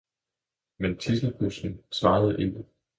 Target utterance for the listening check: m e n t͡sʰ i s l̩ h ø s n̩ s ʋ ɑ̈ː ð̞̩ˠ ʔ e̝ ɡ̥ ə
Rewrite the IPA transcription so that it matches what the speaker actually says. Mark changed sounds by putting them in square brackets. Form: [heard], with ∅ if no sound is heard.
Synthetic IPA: m e n t͡sʰ i s l̩ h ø s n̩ s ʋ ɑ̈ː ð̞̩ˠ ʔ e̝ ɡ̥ ə